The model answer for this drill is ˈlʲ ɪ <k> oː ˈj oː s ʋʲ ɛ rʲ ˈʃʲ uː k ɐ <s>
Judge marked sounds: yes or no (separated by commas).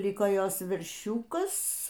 yes, yes